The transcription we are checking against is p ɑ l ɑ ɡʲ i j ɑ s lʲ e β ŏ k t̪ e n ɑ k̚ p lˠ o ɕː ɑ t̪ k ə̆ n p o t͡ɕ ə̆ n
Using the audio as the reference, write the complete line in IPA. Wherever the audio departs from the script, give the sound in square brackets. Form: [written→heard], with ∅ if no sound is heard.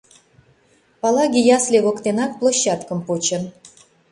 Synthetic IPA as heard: p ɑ l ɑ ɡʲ i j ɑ s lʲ e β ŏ k t̪ e n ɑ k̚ p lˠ o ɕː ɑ t̪ k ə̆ [n→m] p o t͡ɕ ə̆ n

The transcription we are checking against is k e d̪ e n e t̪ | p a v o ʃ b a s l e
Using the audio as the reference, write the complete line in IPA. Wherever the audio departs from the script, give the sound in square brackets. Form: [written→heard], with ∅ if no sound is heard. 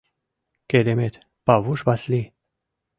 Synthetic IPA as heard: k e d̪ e [n→m] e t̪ | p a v [o→u] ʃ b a s l [e→i]

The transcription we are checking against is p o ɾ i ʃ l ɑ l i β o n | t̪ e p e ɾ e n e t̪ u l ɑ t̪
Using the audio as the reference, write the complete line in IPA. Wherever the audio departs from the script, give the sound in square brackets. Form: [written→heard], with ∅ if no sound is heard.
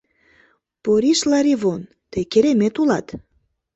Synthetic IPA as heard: p o ɾ i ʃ l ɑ [l→ɾ] i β o n | t̪ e [p→k] e ɾ e [n→m] e t̪ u l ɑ t̪

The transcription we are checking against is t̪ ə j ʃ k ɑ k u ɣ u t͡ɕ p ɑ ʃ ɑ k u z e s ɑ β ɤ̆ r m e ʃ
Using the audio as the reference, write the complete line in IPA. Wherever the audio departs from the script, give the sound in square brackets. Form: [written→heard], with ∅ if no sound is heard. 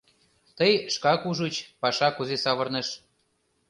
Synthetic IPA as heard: t̪ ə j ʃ k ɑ k u [ɣ→ʒ] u t͡ɕ p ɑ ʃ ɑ k u z e s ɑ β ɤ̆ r [m→n] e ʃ

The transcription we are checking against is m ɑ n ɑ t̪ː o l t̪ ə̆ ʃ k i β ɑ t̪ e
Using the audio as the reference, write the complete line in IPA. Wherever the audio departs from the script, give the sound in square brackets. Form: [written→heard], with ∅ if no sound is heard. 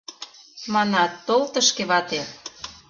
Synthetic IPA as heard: m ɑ n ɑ t̪ː o l t̪ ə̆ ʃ k [i→e] β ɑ t̪ e

